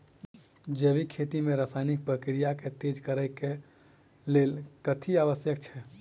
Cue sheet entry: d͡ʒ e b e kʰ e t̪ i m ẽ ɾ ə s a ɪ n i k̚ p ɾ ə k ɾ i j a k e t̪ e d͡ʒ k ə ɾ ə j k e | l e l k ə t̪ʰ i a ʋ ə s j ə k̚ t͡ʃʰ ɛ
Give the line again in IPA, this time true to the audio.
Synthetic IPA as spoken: d͡ʒ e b i kʰ e t̪ i m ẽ ɾ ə s a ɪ n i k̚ p ɾ ə k ɾ i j a k e t̪ e d͡ʒ k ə ɾ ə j k e | l e l k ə t̪ʰ i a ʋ ə s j ə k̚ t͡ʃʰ ɛ

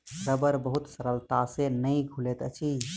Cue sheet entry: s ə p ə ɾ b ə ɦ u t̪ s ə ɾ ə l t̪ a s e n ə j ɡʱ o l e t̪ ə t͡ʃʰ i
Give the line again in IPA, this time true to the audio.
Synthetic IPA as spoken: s ə b ə ɾ b ə ɦ u t̪ s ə ɾ ə l t̪ a s e n ə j ɡʱ u l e t̪ ə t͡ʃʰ i

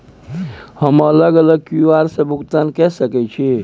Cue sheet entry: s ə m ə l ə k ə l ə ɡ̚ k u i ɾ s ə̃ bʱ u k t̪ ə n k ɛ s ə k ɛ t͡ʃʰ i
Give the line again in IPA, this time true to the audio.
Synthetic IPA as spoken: h ə m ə l ə ɡ ə l ə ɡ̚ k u a ɾ s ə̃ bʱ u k t̪ a n k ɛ s ə k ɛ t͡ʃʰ i

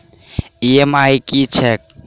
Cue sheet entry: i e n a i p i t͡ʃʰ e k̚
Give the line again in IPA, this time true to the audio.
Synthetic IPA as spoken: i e m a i k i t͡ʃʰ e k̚

